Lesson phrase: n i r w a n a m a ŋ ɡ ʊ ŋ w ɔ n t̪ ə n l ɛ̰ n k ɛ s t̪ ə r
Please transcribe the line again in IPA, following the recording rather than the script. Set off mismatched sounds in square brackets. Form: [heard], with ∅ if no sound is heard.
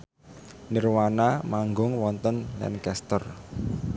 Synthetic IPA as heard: n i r w a n a m a ŋ ɡ ʊ ŋ w ɔ n t̪ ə n l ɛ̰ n k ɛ s t̪ ə r